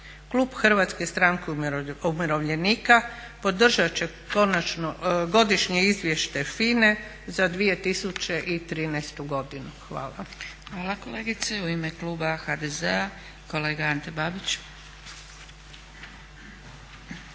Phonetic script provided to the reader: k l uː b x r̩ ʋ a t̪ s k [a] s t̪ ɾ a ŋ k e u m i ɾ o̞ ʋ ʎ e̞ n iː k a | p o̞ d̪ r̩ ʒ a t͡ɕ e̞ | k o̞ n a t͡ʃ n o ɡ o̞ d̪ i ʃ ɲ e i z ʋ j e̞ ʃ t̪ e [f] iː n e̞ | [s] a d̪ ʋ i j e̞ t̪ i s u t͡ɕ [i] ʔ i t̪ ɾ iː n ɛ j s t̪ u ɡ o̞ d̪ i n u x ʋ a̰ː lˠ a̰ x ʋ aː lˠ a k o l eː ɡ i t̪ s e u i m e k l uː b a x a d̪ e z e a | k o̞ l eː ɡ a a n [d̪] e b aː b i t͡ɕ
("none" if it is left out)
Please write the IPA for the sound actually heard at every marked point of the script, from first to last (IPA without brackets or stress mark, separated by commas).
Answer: e, f, z, e, t̪